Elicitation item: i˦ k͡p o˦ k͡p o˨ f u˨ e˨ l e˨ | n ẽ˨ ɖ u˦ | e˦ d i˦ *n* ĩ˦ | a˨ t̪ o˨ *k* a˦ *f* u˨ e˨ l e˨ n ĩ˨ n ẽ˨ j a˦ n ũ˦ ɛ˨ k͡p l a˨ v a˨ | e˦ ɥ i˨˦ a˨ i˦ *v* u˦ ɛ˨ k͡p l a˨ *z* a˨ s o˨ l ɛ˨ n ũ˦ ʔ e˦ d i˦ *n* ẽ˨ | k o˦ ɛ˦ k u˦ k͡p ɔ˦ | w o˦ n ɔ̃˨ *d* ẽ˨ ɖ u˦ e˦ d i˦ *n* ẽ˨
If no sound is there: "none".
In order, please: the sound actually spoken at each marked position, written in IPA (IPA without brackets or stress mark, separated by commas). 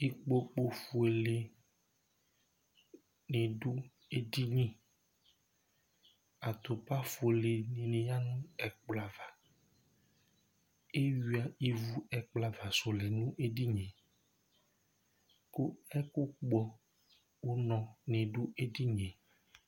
ɲ, p, f, v, v, ɲ, n, ɲ